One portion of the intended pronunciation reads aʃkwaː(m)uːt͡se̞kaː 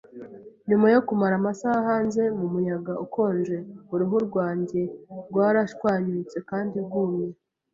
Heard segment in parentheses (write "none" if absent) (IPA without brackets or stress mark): ɲ